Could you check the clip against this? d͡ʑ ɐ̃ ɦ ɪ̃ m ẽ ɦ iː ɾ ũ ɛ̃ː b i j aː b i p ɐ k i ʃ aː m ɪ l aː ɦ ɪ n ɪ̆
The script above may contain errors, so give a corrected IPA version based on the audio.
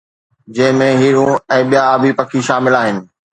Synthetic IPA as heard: d͡ʑ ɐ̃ ɦ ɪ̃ m ẽ ɦ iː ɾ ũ ɛ̃ː ɓ i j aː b i p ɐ kʰ i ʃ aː m ɪ l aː ɦ ɪ n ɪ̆